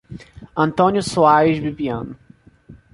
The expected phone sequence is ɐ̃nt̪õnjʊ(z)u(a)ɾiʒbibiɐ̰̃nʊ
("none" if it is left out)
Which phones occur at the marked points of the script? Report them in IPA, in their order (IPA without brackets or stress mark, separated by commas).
s, a